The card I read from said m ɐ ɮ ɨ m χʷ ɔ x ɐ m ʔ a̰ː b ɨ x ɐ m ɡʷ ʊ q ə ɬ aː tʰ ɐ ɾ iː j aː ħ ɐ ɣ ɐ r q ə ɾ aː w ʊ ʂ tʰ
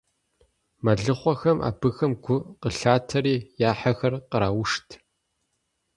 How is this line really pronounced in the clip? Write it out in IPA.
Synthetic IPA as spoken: m ɐ ɮ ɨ χʷ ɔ x ɐ m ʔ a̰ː b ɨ x ɐ m ɡʷ ʊ q ə ɬ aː tʰ ɐ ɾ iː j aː ħ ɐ x ɐ r q ə ɾ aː w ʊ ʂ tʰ